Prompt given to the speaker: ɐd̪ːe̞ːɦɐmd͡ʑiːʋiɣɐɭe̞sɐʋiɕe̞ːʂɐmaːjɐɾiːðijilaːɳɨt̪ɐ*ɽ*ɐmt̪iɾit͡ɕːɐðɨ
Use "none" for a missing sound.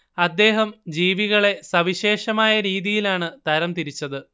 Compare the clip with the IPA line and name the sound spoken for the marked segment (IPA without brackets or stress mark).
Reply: ɾ